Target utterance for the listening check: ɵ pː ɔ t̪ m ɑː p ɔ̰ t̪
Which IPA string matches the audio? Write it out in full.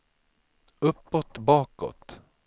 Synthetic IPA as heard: ɵ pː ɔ t̪ b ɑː k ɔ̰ t̪